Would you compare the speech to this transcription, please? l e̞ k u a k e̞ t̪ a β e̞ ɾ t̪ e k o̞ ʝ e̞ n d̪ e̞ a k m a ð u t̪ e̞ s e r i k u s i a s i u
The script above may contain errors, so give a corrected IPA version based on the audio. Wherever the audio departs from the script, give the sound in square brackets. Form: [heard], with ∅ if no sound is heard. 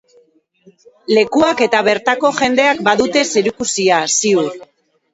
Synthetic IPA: l e̞ k u a k e̞ t̪ a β e̞ ɾ t̪ [a] k o̞ ʝ e̞ n d̪ e̞ a k [b] a ð u t̪ e̞ s e [ɾ] i k u s i a s i u